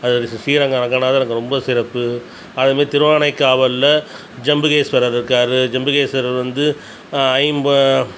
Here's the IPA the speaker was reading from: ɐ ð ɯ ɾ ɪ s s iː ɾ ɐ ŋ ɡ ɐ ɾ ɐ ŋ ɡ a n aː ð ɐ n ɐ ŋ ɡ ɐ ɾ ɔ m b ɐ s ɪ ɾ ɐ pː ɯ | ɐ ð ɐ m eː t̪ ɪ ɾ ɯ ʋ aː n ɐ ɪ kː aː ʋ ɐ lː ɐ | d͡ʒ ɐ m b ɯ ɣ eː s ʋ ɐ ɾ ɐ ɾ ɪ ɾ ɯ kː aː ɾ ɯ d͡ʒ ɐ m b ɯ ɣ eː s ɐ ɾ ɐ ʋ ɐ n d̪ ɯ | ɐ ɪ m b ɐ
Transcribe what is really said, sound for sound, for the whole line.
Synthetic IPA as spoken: ɐ ð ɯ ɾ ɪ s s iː ɾ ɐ ŋ ɡ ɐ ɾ ɐ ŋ ɡ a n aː ð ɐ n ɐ ŋ ɡ ɐ ɾ ɔ m b ɐ s ɪ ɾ ɐ pː ɯ | ɐ ð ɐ m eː t̪ ɪ ɾ ɯ ʋ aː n ɐ ɪ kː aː ʋ ɐ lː ɐ | d͡ʒ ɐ m b ɯ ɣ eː s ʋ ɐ ɾ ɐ ɾ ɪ ɾ ɯ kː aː ɾ ɯ d͡ʒ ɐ m b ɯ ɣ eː s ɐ ɾ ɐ ʋ ɐ n d̪ ɯ | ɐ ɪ m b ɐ